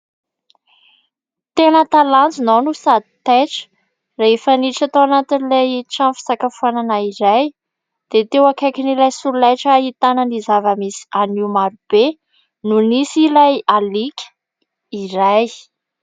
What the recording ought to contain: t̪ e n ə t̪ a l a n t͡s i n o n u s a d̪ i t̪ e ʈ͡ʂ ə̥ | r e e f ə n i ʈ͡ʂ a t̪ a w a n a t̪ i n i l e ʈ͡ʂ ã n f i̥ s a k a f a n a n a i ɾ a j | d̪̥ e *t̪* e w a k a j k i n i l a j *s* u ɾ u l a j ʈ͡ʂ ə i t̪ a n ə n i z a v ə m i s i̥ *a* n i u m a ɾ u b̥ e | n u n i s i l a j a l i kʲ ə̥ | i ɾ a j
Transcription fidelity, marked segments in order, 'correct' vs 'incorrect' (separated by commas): correct, correct, correct